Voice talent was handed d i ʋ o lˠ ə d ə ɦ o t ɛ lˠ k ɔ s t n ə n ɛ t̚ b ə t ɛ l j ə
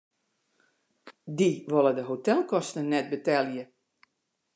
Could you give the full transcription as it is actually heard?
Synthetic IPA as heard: d i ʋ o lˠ ə d ə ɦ o t ɛ lˠ k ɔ s t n ə n ɛ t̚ b ə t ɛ l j ə